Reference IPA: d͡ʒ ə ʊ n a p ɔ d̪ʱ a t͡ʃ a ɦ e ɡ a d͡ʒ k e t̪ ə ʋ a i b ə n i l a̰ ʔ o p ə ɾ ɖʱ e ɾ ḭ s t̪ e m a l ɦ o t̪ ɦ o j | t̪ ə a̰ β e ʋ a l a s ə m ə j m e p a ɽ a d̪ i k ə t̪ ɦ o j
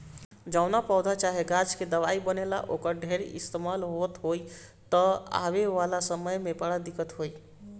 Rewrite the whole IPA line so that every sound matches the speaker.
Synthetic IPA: d͡ʒ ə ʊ n a p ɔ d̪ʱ a t͡ʃ a ɦ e ɡ a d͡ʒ k e d̪ ə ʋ a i b ə n e l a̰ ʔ o k ə ɾ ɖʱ e ɾ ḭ s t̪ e m a l ɦ o t̪ ɦ o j | t̪ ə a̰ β e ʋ a l a s ə m ə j m e p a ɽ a d̪ i k ə t̪ ɦ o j